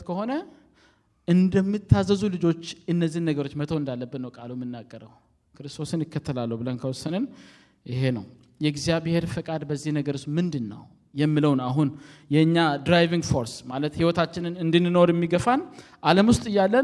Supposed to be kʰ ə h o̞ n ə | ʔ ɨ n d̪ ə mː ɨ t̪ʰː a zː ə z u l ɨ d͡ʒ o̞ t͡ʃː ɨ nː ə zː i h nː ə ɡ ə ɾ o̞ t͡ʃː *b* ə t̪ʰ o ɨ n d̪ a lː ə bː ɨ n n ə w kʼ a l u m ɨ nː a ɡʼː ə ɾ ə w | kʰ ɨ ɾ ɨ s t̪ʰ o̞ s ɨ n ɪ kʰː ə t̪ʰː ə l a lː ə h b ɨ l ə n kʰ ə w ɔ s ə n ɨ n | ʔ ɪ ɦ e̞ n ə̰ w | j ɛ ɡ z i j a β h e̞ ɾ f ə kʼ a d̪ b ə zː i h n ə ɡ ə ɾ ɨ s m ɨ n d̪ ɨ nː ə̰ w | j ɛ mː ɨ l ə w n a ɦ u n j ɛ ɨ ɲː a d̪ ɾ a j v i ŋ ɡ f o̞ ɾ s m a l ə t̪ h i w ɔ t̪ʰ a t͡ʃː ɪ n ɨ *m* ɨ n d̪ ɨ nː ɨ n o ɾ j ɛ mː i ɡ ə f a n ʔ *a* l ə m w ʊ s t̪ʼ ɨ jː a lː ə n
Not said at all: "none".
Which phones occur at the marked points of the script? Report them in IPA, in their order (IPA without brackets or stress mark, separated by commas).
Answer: m, n, a